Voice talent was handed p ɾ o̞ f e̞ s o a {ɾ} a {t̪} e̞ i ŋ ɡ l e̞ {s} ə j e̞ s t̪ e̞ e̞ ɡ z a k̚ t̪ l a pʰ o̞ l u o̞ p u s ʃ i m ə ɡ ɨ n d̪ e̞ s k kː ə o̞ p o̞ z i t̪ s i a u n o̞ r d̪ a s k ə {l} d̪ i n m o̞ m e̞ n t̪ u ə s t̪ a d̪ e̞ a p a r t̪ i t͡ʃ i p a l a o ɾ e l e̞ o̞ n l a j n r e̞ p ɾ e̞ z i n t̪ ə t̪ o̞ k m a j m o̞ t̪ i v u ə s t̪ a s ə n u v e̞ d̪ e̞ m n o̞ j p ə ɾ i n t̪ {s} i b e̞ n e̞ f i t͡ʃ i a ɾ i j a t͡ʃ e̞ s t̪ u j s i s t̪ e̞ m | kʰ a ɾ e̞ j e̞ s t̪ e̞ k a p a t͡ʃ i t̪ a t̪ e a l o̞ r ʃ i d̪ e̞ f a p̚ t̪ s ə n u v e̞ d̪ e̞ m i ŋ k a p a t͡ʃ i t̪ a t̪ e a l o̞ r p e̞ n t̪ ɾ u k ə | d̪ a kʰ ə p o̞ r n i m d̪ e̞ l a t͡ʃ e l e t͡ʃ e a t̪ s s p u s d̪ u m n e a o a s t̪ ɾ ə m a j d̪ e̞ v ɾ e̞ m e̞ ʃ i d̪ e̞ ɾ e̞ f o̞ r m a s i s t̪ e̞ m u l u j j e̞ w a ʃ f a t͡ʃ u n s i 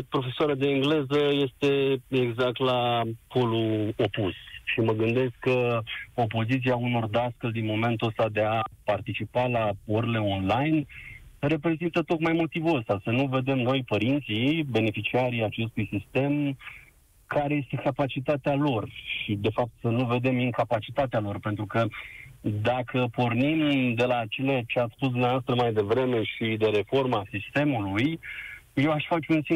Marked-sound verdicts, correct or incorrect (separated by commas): correct, incorrect, incorrect, correct, correct